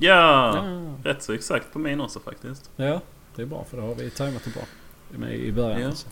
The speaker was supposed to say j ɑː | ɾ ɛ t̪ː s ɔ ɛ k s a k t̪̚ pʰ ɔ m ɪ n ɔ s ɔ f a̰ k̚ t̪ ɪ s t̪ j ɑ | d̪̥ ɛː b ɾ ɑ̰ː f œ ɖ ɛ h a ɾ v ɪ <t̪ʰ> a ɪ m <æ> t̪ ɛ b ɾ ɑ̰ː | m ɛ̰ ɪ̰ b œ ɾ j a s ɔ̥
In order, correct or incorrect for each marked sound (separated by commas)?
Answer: correct, incorrect